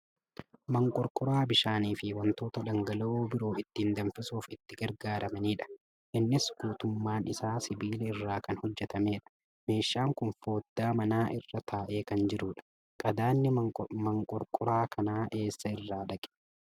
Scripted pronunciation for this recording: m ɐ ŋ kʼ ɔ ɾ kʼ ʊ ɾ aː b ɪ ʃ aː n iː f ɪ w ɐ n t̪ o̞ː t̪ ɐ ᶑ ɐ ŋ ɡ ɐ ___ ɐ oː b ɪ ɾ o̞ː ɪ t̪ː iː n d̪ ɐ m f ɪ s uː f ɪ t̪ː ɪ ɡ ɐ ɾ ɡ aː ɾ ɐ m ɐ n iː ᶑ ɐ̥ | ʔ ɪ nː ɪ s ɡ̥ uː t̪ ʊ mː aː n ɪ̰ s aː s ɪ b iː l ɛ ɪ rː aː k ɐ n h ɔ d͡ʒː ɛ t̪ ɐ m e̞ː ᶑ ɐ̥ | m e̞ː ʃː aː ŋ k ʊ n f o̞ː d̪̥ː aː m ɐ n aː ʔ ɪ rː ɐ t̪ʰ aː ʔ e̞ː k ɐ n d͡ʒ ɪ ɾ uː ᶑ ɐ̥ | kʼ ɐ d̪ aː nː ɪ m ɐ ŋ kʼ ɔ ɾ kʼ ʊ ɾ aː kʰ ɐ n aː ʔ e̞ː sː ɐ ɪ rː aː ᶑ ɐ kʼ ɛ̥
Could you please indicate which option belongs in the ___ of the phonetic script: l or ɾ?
l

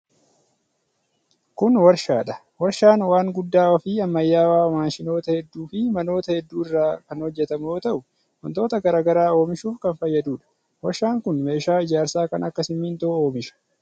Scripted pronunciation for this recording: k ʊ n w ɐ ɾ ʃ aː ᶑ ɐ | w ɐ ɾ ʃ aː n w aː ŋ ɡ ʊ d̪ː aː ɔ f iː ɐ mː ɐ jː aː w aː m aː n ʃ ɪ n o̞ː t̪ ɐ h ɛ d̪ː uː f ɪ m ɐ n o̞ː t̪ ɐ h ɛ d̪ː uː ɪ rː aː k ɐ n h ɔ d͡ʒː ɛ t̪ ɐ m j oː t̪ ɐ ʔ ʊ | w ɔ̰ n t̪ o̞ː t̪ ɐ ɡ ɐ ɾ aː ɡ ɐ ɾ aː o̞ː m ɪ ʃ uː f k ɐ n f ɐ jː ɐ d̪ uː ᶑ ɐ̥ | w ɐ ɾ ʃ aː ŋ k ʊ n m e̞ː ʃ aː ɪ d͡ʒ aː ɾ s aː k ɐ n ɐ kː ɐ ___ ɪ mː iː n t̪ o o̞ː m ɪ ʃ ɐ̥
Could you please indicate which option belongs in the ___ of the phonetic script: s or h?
s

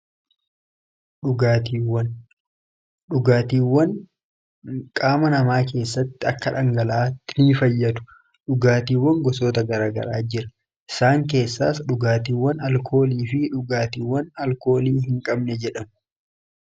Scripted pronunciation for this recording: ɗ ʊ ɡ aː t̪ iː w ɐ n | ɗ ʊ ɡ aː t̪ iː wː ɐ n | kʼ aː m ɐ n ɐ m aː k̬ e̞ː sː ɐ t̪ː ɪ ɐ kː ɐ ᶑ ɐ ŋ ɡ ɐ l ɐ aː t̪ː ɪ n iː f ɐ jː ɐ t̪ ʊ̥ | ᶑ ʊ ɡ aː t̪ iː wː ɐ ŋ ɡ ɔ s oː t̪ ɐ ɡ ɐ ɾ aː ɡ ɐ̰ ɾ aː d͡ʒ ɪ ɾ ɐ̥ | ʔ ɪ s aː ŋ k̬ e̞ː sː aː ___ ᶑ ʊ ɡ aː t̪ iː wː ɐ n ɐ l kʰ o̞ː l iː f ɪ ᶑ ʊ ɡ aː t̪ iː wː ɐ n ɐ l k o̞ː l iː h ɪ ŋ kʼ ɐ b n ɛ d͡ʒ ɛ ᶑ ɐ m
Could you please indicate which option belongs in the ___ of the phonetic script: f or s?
s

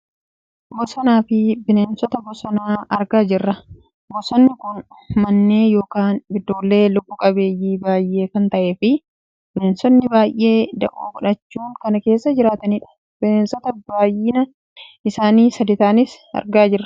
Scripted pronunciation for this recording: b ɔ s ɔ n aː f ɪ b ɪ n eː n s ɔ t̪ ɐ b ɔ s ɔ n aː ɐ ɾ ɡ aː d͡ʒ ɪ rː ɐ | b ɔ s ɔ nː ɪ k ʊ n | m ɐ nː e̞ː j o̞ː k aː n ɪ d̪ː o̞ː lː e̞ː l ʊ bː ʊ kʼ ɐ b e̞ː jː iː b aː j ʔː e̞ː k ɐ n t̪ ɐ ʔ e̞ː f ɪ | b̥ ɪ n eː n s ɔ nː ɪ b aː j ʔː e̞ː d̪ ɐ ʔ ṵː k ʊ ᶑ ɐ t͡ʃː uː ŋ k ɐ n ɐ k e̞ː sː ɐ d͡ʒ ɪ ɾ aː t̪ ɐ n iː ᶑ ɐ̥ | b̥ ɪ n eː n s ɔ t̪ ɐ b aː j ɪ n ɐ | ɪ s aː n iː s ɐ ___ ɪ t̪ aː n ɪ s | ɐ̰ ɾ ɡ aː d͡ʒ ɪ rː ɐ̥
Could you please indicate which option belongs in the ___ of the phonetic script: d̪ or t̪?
d̪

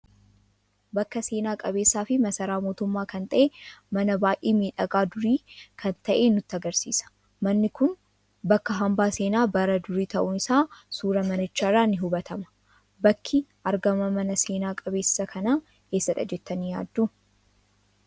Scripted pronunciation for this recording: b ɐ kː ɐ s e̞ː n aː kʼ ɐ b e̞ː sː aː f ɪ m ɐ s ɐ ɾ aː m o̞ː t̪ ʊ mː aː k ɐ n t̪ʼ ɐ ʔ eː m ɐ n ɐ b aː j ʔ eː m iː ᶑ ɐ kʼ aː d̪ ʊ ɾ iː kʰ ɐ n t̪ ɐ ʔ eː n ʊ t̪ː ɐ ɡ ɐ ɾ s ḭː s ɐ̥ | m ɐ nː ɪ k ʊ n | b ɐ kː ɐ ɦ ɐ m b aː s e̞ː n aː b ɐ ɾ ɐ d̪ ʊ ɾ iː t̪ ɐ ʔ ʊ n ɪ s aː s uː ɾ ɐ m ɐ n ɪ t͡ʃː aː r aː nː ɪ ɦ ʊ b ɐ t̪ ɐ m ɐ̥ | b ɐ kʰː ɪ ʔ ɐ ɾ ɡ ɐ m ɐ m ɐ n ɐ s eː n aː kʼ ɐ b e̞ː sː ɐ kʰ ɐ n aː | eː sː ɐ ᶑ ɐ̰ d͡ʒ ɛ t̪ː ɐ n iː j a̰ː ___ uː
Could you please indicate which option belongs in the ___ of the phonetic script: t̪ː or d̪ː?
d̪ː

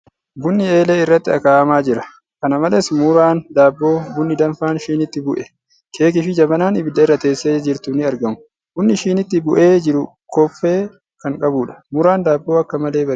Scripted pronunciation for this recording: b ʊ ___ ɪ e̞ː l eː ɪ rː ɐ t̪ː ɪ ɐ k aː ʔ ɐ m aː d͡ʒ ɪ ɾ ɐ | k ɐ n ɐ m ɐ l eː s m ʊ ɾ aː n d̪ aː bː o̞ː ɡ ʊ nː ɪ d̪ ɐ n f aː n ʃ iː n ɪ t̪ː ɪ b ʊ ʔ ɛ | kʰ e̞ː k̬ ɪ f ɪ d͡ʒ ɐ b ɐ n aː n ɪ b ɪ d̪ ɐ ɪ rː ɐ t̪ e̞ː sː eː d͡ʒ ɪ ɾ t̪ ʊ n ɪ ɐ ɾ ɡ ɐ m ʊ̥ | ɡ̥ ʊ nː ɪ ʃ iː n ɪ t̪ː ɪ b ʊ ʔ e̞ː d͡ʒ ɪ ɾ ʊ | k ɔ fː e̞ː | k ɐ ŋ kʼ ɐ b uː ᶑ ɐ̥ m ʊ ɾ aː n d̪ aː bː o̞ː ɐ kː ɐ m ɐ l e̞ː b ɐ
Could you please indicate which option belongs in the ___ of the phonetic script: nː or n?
nː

